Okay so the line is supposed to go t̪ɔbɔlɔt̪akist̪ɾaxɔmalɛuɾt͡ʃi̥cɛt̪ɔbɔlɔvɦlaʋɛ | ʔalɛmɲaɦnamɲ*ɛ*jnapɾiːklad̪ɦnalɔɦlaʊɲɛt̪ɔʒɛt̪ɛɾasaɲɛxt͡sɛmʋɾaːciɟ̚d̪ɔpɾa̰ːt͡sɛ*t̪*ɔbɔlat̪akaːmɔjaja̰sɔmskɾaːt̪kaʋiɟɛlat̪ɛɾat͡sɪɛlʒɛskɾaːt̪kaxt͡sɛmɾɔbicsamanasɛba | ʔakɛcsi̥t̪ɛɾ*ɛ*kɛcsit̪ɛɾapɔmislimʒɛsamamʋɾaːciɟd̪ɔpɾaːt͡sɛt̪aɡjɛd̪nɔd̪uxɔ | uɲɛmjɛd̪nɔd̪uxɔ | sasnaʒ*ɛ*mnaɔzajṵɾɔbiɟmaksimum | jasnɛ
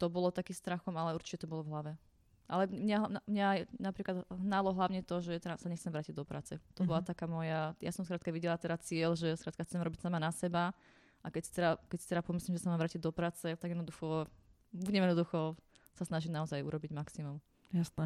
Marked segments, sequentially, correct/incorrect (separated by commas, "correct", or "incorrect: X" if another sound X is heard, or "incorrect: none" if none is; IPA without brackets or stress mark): incorrect: a, correct, incorrect: a, incorrect: i